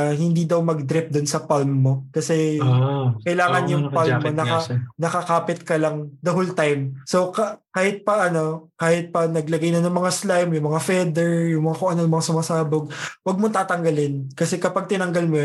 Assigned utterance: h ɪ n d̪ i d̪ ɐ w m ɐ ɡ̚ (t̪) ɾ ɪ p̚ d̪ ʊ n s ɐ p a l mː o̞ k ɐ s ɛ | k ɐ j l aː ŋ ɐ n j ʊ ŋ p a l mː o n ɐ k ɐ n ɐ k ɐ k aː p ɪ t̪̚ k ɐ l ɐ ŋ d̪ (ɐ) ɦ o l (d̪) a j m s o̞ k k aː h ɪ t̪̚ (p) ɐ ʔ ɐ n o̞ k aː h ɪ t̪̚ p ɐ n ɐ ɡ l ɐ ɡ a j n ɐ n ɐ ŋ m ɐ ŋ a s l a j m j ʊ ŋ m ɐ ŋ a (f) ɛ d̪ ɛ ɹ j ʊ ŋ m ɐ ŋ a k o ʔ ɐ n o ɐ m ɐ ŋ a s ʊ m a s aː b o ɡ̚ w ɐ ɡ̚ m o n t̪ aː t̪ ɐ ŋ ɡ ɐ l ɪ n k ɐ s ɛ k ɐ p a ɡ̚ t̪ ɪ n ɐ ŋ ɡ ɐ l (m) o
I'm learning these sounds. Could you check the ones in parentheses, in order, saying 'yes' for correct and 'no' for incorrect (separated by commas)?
no, yes, no, yes, yes, yes